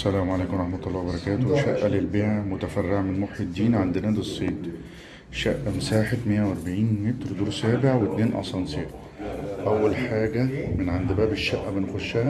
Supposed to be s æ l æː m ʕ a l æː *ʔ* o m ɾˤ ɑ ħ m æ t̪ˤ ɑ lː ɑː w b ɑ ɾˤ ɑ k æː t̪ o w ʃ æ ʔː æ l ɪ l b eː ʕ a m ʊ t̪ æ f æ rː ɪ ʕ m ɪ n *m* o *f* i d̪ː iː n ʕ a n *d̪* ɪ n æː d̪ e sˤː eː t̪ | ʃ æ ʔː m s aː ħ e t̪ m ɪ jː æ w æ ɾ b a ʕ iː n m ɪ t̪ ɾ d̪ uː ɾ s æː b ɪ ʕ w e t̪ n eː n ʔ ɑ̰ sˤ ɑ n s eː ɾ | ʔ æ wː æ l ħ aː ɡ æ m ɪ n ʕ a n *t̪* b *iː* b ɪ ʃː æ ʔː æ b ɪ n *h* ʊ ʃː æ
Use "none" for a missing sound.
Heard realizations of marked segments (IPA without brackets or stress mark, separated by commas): k, m, ħ, d̪, d̪, æː, x